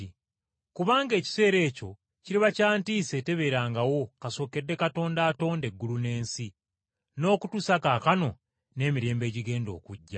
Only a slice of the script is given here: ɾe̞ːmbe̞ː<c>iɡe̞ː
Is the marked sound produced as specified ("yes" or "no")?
no